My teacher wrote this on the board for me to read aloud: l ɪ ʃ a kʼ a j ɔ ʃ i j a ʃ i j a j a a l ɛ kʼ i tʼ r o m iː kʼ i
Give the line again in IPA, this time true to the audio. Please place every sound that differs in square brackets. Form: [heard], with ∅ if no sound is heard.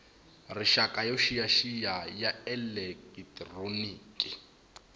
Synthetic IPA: [r] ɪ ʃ a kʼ a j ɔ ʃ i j a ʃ i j a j a [ɛ] l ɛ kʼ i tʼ r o [n] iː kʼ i